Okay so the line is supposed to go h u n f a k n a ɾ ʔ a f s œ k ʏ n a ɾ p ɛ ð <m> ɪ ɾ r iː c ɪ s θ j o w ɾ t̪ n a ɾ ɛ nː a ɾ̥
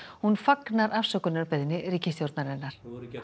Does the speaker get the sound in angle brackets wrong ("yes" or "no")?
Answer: yes